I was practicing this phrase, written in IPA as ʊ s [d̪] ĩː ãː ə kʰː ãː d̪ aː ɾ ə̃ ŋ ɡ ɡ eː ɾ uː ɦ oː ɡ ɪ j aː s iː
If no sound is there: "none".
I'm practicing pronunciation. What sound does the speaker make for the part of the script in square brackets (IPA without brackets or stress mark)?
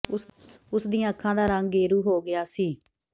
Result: d̪